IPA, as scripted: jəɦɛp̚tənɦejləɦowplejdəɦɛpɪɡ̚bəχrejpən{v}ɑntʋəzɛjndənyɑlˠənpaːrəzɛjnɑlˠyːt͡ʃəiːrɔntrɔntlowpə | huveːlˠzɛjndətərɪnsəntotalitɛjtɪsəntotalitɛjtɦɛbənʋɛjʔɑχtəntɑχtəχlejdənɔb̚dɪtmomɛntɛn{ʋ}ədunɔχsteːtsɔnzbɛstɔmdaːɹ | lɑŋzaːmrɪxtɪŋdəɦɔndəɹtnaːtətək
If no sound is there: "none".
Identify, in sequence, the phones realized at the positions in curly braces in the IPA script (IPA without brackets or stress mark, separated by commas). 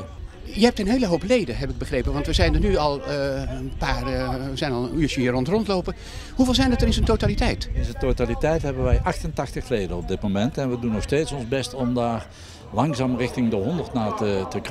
ʋ, ʋ